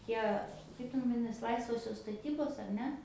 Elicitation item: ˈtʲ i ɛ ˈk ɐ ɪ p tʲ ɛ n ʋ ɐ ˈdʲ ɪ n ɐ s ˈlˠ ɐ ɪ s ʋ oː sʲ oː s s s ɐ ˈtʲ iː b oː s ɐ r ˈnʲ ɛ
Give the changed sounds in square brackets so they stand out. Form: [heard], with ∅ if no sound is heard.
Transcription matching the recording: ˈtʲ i ɛ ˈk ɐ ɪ p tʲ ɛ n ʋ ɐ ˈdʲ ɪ n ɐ s ˈlˠ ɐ ɪ s ʋ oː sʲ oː s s [t] ɐ ˈtʲ iː b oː s ɐ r ˈnʲ ɛ